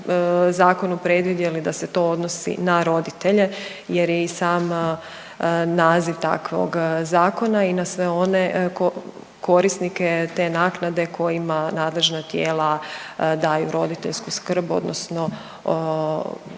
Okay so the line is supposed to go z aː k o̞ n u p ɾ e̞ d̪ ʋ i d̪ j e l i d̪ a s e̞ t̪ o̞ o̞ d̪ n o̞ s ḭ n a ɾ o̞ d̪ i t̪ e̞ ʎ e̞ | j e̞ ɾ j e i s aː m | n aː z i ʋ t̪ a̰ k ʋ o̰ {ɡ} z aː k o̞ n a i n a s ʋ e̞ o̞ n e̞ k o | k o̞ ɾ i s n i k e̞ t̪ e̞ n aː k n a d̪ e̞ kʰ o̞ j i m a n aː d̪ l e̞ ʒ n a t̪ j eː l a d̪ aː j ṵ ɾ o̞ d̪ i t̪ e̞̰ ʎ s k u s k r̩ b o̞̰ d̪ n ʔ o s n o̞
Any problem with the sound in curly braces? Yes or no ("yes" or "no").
no